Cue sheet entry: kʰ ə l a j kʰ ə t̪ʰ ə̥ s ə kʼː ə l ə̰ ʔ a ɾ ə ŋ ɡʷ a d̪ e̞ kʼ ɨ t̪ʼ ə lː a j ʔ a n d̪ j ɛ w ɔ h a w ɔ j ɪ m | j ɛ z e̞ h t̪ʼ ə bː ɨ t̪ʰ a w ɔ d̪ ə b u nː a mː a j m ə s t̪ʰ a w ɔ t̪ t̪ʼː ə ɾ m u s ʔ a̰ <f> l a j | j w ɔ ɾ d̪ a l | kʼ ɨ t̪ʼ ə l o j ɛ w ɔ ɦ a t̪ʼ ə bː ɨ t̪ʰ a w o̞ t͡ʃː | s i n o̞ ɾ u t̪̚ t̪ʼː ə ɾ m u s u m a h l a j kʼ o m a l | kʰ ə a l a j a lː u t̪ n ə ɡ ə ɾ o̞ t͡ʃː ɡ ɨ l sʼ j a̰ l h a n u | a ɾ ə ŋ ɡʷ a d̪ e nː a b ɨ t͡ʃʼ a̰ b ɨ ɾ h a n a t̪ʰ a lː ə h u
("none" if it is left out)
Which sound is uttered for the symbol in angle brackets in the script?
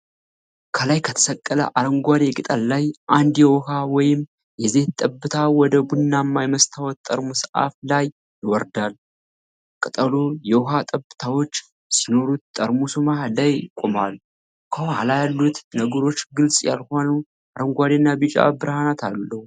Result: f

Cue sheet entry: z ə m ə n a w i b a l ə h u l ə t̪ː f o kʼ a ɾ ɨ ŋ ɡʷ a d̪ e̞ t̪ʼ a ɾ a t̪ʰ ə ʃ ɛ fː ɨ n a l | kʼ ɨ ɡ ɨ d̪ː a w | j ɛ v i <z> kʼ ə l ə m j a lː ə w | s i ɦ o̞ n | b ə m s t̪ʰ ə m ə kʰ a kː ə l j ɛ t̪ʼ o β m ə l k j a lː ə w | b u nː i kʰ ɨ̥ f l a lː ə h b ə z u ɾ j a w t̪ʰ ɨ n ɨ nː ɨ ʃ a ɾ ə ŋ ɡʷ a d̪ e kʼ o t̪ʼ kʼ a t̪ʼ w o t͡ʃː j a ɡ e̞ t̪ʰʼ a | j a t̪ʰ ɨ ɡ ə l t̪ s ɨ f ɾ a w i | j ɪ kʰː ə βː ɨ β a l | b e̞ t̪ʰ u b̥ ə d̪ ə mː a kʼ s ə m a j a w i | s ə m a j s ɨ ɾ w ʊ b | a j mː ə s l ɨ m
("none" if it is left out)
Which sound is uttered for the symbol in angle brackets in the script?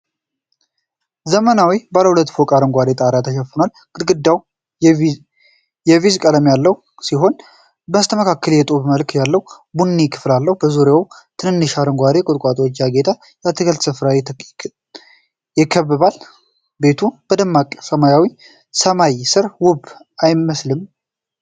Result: z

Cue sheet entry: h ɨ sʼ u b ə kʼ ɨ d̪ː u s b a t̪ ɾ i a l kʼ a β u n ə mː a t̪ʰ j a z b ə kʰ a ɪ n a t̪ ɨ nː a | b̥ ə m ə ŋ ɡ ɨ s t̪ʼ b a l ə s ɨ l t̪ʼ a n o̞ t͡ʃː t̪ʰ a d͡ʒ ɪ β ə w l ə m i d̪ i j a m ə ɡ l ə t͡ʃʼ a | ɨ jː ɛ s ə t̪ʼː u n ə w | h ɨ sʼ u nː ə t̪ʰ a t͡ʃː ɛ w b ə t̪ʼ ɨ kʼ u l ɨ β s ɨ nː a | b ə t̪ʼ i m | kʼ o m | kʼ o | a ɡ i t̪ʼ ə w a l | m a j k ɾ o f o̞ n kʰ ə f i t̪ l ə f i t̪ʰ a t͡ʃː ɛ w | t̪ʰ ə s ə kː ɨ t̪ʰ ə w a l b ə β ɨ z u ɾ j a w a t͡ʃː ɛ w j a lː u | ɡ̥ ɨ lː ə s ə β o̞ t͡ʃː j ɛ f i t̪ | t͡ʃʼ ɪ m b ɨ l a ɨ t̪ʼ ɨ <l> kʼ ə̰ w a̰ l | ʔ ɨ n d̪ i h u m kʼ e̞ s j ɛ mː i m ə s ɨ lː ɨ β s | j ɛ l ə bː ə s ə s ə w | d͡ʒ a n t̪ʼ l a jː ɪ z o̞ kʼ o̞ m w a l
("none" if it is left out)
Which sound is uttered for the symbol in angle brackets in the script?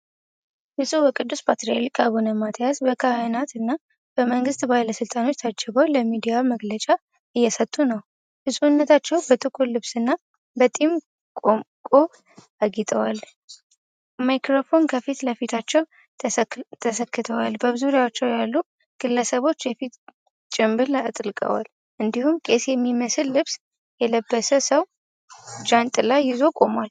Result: l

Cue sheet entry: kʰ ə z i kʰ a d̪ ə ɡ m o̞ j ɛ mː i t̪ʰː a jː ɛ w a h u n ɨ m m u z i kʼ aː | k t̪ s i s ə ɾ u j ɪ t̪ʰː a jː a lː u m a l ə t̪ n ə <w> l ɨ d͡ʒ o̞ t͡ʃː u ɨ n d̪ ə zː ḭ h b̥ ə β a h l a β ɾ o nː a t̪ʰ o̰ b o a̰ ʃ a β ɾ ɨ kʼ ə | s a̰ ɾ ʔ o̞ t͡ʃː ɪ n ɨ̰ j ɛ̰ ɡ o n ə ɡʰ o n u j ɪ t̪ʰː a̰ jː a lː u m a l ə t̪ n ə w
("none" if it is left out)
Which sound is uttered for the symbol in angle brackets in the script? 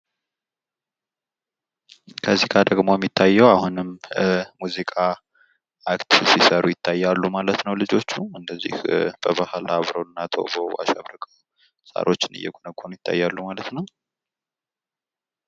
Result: w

